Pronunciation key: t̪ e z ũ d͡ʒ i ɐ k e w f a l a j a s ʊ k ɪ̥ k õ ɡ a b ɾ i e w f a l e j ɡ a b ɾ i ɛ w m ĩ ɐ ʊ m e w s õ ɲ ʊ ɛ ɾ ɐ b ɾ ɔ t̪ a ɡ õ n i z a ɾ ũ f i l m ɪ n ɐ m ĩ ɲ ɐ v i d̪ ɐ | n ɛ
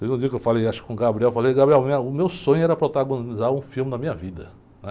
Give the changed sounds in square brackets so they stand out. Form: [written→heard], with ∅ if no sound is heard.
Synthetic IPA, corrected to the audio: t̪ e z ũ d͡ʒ i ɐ k e w f a l [a→e] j a [s→ʃ] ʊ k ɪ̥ k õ ɡ a b ɾ i [e→ɛ] w f a l e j ɡ a b ɾ i ɛ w m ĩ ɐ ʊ m e w s õ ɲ ʊ ɛ ɾ ɐ [b→p] ɾ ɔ t̪ a ɡ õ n i z a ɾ ũ f i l m ɪ n ɐ m ĩ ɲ ɐ v i d̪ ɐ | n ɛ